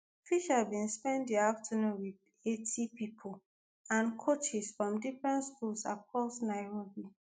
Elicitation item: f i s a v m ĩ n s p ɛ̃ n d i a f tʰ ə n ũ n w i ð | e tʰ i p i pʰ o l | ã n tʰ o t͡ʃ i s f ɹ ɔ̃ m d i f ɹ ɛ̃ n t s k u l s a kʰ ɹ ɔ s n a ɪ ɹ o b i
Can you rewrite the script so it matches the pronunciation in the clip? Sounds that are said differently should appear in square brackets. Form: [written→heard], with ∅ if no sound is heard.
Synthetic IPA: f i [s→ʃ] a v [m→b] ĩ n s p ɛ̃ n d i a f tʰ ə n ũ n w i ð | e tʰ i p i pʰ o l | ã n [tʰ→kʰ] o t͡ʃ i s f ɹ ɔ̃ m d i f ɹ ɛ̃ n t s k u l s a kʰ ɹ ɔ s n a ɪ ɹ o b i